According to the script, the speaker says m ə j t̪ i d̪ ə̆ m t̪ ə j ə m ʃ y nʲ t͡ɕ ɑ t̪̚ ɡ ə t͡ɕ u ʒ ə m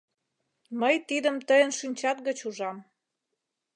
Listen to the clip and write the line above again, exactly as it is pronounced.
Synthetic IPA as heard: m ə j t̪ i d̪ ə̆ m t̪ ə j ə n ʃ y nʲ t͡ɕ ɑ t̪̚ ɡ ə t͡ɕ u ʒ ɑ m